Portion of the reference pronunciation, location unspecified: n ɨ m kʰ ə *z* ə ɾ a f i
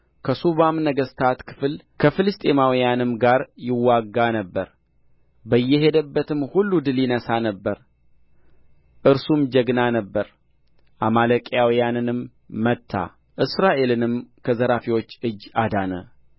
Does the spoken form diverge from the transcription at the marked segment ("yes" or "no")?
no